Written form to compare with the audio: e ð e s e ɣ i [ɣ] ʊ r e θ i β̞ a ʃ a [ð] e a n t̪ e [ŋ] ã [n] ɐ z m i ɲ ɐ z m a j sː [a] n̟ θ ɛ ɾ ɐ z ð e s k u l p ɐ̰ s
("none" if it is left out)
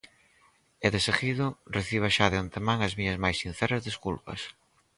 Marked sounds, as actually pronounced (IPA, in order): ð, ð, m, ŋ, i

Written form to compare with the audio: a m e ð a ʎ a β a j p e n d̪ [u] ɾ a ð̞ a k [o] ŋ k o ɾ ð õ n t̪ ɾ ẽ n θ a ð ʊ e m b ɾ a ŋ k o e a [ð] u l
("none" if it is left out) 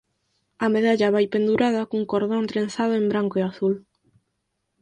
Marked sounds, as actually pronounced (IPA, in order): u, u, θ

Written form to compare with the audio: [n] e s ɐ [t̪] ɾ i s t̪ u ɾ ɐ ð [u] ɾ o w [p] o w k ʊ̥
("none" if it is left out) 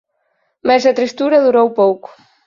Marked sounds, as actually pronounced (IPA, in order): m, t̪, u, p

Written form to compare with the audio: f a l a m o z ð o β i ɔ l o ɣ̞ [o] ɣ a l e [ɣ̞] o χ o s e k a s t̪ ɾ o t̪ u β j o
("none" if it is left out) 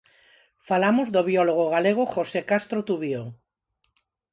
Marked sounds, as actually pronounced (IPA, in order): o, ɣ̞

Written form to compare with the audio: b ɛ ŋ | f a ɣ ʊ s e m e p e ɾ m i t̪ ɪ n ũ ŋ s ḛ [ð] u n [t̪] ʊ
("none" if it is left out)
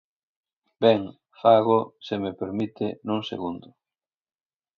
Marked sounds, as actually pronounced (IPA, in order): ɣ, d̪

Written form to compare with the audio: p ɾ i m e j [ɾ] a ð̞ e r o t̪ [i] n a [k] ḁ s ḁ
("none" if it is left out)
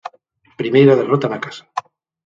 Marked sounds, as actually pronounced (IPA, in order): ɾ, a, k

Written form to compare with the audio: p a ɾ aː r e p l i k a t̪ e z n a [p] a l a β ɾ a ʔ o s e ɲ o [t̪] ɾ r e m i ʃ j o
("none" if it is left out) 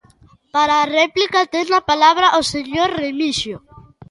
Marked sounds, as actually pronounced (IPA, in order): p, none

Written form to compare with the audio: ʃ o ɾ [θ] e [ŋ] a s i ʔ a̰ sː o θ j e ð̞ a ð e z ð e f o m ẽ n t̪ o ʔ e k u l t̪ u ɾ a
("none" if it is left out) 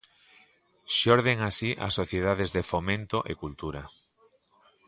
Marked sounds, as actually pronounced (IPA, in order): ð, ŋ

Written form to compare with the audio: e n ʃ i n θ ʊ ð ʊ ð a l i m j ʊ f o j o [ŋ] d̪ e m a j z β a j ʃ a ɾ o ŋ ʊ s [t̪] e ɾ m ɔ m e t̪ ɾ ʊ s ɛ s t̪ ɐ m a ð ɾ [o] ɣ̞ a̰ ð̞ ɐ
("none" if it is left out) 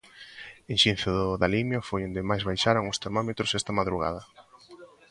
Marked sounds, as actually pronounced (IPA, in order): n, t̪, u

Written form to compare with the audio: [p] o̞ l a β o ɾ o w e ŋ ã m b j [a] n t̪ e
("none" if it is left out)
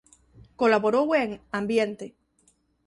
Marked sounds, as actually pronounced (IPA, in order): k, e

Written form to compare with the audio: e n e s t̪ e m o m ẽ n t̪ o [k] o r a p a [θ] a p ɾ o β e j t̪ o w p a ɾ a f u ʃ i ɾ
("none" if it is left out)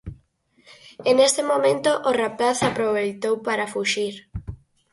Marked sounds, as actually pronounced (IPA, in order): ʔ, θ

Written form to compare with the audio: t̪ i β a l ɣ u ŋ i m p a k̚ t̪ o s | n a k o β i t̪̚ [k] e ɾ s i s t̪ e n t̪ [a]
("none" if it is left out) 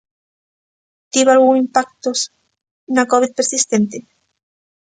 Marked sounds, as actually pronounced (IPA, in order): p, e

